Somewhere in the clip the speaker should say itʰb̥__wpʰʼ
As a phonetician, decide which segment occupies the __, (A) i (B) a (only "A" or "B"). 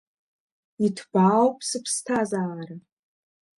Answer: B